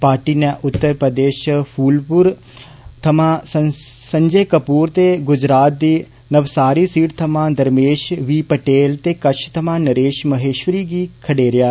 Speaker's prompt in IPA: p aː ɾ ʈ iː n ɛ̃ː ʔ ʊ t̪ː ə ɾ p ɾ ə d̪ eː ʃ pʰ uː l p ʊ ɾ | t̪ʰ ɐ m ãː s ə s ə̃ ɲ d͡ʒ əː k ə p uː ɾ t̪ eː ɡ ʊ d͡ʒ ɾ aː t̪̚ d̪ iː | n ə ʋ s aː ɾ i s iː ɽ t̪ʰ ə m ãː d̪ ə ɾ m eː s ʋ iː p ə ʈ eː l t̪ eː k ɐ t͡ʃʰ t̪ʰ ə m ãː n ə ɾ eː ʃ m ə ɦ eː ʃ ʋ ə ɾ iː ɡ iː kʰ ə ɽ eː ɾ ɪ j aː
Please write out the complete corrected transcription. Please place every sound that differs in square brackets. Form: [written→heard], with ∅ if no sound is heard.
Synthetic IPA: p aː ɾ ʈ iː n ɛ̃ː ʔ ʊ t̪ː ə ɾ p ɾ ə d̪ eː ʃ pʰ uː l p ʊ ɾ | t̪ʰ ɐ m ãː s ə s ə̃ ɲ d͡ʒ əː k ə p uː ɾ t̪ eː ɡ ʊ d͡ʒ ɾ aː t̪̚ d̪ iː | n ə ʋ s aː ɾ i s iː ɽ t̪ʰ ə m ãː d̪ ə ɾ m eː [s→ʃ] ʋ iː p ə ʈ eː l t̪ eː k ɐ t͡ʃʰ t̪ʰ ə m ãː n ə ɾ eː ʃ m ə ɦ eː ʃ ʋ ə ɾ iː ɡ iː kʰ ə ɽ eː ɾ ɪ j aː